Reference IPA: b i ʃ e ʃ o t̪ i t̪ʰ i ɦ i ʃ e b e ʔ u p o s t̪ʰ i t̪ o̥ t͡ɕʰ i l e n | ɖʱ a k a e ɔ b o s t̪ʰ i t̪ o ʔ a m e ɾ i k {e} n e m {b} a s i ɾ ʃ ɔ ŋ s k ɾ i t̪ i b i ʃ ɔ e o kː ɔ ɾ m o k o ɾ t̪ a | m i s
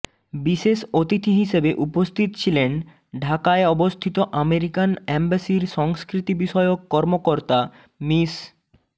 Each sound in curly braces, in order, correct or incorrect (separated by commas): incorrect, correct